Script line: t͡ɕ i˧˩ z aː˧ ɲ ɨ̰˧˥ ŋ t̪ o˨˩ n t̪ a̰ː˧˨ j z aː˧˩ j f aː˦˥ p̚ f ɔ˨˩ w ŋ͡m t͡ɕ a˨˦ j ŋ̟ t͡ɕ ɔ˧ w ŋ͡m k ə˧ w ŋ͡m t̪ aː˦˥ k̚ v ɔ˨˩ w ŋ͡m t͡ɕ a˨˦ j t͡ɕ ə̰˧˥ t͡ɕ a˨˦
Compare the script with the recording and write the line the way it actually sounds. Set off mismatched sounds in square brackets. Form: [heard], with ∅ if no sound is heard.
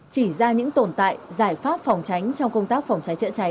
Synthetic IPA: t͡ɕ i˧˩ z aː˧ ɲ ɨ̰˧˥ ŋ t̪ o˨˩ n t̪ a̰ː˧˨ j z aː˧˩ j f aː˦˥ p̚ f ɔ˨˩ w ŋ͡m t͡ɕ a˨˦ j ŋ̟ t͡ɕ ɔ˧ w ŋ͡m k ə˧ w ŋ͡m t̪ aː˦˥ k̚ [f] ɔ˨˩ w ŋ͡m t͡ɕ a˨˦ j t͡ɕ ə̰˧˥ t͡ɕ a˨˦